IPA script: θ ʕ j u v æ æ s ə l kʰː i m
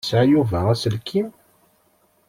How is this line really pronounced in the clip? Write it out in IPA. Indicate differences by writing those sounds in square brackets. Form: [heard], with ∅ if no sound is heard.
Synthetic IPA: [s] ʕ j u v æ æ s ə l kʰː i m